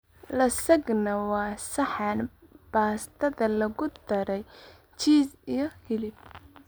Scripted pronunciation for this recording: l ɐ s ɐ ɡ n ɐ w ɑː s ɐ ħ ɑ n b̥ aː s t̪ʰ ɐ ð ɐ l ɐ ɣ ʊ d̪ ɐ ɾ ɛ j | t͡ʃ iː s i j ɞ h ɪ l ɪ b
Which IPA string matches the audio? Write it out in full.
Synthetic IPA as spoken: l ɐ s ɐ ɡ n ɐ w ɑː s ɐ ħ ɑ n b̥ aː s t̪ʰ ɐ ð ɐ l ɐ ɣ ʊ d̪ ɐ ɾ ɛ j | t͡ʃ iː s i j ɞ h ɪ l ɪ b